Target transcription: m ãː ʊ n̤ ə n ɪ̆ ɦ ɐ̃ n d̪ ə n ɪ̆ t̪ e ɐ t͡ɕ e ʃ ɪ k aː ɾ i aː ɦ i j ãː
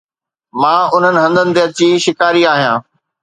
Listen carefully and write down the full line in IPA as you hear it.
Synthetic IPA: m ãː ʊ n̤ ə n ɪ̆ ɦ ɐ̃ n d̪ ə n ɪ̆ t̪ e ɐ t͡ɕ i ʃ ɪ k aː ɾ i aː ɦ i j ãː